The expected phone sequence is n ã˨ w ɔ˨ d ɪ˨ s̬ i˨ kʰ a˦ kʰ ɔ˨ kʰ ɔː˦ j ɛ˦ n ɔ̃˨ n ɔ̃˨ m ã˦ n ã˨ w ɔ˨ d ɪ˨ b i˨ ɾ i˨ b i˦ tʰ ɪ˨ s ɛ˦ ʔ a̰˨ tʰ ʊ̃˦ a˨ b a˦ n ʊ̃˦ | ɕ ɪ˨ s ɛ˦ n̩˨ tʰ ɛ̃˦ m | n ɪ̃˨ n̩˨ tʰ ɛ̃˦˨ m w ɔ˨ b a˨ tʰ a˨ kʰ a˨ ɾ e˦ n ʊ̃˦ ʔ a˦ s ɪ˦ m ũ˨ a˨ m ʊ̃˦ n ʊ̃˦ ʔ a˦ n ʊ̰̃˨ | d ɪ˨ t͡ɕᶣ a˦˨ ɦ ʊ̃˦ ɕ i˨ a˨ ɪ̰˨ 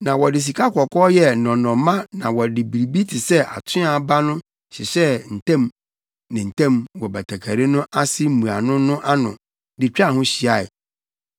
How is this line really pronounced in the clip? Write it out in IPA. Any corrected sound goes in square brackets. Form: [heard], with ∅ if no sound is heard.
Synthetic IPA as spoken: n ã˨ w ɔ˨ d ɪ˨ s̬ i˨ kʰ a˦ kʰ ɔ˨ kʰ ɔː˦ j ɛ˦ n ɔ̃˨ n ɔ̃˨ m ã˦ n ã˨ w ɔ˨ d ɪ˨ b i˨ ɾ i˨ b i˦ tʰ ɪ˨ s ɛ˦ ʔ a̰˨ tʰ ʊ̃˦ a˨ b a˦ n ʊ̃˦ | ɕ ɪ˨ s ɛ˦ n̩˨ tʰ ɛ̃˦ m | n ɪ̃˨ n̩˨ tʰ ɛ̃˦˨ m w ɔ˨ b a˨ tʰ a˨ kʰ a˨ ɾ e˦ n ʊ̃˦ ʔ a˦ s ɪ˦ m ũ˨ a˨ [n] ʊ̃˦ n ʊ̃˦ ʔ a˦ n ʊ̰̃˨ | d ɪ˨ t͡ɕᶣ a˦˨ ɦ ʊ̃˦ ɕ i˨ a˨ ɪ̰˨